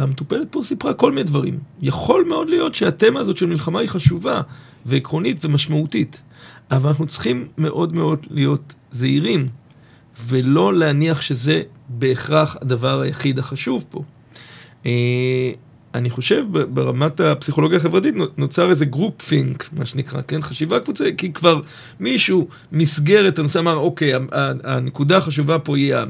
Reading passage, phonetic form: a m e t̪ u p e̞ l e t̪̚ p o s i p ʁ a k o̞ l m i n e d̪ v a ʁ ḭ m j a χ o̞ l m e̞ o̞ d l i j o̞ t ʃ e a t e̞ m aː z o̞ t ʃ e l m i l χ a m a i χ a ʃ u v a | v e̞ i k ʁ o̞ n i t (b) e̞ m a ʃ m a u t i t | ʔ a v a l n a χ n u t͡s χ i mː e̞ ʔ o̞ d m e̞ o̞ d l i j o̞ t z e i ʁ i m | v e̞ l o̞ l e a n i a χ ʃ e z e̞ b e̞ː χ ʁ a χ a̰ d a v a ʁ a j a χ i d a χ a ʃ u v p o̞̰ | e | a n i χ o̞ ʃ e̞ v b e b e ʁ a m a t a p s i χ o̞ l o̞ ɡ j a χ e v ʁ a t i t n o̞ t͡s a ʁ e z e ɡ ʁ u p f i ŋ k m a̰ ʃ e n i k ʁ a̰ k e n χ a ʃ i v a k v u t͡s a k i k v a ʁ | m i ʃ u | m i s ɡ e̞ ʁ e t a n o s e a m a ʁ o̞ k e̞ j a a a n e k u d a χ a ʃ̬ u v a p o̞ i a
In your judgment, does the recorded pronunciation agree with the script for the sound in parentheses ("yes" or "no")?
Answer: no